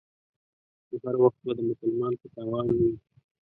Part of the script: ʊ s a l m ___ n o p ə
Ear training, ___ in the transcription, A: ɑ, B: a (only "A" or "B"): A